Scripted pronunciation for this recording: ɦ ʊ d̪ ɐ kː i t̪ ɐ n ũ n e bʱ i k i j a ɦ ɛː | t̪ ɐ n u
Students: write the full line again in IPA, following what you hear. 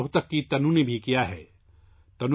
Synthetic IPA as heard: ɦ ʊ t̪ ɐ kː i t̪ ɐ n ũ n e bʱ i k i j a ɦ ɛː | t̪ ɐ n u